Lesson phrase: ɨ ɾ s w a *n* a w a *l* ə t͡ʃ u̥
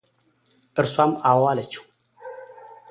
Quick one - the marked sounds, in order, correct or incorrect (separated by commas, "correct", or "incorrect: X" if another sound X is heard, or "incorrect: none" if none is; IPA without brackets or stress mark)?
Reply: incorrect: m, correct